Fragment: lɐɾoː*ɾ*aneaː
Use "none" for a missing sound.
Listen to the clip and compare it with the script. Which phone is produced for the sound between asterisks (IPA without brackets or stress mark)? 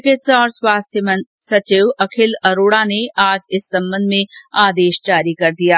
ɽ